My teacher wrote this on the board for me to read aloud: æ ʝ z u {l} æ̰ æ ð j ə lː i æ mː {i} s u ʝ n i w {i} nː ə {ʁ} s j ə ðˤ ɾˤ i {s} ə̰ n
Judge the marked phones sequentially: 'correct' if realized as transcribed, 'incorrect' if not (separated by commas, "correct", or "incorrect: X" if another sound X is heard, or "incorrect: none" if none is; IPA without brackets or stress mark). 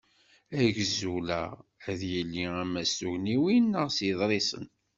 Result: correct, incorrect: æ, correct, correct, correct